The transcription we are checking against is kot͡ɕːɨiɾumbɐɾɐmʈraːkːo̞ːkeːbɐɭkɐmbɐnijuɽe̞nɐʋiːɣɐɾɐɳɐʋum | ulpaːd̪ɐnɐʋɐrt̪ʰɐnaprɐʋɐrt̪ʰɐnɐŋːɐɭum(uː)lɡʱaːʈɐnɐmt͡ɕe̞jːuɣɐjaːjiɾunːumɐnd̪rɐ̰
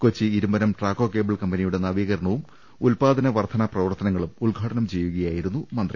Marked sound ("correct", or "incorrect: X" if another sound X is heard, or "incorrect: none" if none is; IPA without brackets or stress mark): incorrect: u